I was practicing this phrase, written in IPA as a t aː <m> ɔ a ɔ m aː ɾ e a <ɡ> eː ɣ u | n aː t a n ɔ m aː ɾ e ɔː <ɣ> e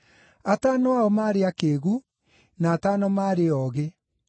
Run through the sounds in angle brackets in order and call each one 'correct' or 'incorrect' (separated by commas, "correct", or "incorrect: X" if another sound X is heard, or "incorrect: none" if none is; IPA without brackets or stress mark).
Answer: incorrect: n, incorrect: k, correct